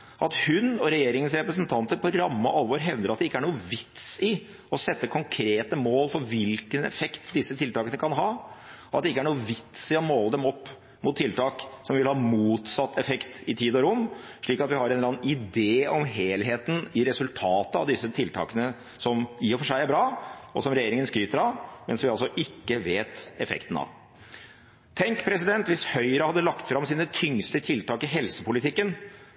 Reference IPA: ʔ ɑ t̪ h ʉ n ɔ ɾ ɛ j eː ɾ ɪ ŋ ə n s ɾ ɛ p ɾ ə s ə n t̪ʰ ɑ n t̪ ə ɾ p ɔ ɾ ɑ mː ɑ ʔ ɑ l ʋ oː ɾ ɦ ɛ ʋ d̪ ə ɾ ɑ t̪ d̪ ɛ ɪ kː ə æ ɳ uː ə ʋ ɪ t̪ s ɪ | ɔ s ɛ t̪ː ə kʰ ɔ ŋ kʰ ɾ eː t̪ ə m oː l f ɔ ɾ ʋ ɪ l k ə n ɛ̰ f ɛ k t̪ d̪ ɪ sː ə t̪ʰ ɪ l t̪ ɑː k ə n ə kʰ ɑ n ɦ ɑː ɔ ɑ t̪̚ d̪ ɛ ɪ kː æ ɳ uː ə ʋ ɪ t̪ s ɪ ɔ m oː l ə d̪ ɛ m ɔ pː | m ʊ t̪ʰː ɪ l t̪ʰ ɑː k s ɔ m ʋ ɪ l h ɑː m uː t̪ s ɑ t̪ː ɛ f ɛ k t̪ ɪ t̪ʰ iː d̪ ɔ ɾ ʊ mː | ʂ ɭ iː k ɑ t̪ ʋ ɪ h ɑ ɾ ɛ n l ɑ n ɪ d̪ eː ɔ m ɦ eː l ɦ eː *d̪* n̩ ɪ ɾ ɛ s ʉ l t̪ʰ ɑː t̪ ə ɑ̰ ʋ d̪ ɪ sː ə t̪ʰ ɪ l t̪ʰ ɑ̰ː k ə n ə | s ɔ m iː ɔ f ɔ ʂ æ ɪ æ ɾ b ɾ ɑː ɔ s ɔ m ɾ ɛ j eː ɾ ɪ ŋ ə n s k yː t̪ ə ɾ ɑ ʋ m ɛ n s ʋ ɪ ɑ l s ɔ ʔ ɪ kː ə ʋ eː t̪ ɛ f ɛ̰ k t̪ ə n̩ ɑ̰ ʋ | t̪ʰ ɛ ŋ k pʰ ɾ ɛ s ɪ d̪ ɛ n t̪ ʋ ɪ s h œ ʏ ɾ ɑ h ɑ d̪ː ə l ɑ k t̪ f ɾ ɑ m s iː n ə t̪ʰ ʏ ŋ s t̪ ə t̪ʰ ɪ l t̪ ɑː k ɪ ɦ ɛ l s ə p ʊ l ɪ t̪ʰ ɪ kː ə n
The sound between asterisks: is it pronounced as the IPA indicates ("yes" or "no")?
no